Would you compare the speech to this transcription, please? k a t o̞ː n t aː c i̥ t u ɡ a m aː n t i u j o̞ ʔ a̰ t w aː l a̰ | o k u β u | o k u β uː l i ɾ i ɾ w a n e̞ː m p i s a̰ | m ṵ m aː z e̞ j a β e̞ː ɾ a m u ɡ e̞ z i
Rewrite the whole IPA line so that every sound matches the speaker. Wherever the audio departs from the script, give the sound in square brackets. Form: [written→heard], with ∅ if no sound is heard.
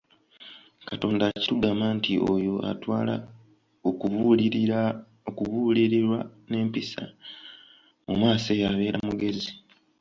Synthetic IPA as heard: k a t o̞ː n [t→d] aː c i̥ t u ɡ a m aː n t i [u→o] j o̞ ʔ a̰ t w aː l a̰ | o k u β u | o k u β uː l i ɾ i ɾ w a n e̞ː m p i s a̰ | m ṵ m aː [z→s] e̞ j a β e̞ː ɾ a m u ɡ e̞ z i